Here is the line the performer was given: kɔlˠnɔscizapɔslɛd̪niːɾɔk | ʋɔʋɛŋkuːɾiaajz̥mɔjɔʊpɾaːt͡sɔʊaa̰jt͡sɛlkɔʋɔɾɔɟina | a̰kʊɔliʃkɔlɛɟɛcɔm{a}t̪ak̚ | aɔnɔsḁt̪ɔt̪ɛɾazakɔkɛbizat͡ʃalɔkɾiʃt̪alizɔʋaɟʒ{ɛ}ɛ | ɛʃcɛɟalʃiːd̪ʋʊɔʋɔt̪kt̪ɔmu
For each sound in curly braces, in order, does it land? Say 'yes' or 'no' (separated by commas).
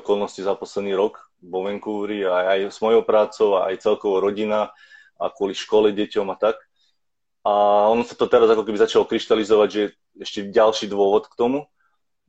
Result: yes, yes